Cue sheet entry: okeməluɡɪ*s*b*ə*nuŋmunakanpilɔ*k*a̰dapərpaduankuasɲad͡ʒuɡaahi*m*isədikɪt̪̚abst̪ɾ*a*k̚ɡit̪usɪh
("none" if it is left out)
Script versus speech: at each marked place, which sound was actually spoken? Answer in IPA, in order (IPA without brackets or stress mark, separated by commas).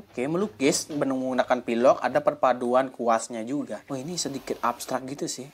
s, ə, k, n, a